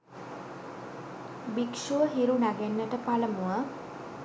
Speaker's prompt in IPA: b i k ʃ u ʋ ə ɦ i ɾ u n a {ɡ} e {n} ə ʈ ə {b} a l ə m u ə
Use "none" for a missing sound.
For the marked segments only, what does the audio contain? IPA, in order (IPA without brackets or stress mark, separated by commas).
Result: ɡ, nː, p